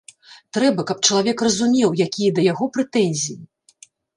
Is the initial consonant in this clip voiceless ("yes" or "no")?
yes